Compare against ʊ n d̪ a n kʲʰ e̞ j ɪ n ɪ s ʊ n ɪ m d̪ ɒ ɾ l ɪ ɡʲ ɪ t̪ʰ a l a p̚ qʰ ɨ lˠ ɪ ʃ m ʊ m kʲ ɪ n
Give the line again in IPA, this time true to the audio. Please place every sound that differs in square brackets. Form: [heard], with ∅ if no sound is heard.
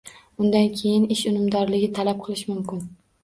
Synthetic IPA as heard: ʊ n d̪ a n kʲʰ e̞ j ɪ n ɪ [ʃ] ʊ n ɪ m d̪ ɒ ɾ l ɪ ɡʲ ɪ t̪ʰ a l a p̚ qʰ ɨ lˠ ɪ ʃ m ʊ m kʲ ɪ n